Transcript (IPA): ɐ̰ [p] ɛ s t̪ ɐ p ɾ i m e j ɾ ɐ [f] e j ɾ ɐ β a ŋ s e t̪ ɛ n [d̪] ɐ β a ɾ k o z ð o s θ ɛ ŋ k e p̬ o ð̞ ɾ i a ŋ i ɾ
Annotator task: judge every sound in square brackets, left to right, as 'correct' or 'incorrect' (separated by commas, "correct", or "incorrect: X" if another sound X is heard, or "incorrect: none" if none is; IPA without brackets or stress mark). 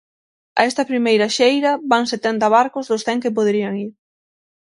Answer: incorrect: none, incorrect: ʃ, incorrect: t̪